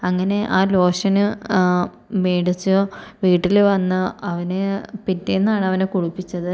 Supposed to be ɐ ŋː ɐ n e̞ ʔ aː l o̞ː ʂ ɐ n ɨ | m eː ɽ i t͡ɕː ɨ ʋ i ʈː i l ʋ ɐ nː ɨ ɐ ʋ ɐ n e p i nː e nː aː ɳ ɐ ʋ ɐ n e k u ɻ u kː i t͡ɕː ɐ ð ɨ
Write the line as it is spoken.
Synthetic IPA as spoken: ɐ ŋː ɐ n e̞ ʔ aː l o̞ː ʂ ɐ n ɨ | m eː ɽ i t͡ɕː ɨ ʋ iː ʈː i l ʋ ɐ nː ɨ ɐ ʋ ɐ n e p i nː e nː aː ɳ ɐ ʋ ɐ n e k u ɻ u pː i t͡ɕː ɐ ð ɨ